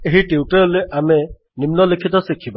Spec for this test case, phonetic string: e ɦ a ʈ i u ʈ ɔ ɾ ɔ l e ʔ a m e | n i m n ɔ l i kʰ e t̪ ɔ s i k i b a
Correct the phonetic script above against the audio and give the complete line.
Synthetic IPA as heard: e ɦ i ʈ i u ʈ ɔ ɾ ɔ l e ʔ a m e | n i m n ɔ l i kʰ i t̪ ɔ s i kʰ i b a